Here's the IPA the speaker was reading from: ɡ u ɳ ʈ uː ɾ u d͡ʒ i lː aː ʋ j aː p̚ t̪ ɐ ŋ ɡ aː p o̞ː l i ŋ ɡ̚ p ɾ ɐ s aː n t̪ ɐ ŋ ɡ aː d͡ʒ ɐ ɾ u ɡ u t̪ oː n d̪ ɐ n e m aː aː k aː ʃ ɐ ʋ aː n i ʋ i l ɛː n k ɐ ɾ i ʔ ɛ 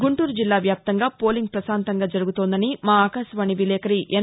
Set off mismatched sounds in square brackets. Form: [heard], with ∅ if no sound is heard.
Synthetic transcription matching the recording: ɡ u ɳ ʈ uː ɾ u d͡ʒ i lː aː ʋ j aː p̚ t̪ ɐ ŋ ɡ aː p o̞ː l i ŋ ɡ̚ p ɾ ɐ s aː n t̪ ɐ ŋ ɡ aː d͡ʒ ɐ ɾ u ɡ u t̪ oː n d̪ ɐ n [i] m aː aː k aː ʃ ɐ ʋ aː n i ʋ i l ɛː [∅] k ɐ ɾ i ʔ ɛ